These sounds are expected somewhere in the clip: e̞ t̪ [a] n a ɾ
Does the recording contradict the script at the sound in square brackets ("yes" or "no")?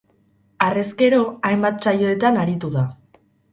no